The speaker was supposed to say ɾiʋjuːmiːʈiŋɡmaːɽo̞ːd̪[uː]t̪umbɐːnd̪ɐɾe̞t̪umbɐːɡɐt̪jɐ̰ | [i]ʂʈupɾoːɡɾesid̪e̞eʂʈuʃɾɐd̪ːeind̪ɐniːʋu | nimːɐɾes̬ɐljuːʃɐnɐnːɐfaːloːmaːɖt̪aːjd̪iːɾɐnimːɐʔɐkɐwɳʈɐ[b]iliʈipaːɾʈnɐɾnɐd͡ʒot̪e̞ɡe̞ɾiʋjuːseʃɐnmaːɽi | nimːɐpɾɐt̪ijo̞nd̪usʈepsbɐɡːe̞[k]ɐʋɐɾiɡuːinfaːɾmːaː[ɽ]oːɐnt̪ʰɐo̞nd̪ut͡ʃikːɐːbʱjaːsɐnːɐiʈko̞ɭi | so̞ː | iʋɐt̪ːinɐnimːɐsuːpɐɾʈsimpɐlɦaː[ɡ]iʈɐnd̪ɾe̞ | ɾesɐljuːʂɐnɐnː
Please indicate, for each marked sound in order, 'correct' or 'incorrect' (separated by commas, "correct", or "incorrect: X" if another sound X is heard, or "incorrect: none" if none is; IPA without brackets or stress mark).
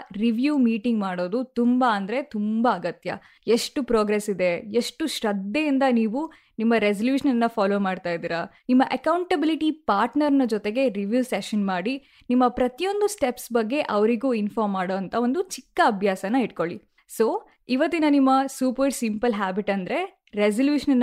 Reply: incorrect: u, incorrect: e, correct, incorrect: ʔ, correct, incorrect: b